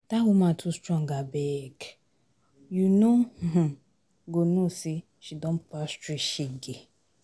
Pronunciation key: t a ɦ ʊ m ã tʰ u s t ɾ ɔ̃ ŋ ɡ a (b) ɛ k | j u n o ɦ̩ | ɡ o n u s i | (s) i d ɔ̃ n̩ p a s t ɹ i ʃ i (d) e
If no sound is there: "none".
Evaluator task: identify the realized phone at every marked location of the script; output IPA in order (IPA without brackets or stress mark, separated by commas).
b, ʃ, ɡ